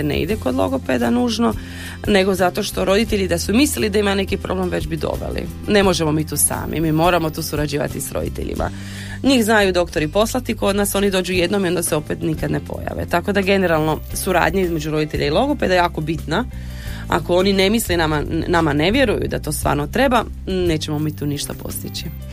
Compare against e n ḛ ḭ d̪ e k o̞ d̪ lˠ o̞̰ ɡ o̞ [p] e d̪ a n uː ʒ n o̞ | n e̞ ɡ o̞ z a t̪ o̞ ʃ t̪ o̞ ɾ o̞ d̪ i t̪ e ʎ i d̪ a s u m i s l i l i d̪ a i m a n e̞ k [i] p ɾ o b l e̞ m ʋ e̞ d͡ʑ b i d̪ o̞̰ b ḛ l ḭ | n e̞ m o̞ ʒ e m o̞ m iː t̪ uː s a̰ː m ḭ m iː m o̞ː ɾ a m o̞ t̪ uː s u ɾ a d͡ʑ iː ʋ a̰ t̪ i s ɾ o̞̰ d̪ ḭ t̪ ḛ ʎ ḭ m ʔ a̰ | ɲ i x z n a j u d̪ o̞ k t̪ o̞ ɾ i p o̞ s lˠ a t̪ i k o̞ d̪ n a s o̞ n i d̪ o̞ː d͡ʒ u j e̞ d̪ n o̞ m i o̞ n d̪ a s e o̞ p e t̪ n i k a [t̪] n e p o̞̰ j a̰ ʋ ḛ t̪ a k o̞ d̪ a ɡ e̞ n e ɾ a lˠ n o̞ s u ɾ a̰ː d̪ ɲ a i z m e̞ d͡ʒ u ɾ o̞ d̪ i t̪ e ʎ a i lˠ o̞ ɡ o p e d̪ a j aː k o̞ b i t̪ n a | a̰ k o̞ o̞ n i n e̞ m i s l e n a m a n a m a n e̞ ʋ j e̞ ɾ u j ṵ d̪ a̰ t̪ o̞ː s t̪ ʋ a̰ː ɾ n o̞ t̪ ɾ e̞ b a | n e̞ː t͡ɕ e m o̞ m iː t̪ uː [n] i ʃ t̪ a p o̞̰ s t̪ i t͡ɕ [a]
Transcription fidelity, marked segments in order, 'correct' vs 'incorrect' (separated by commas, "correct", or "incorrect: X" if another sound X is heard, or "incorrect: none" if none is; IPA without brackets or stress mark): correct, correct, incorrect: d̪, correct, incorrect: i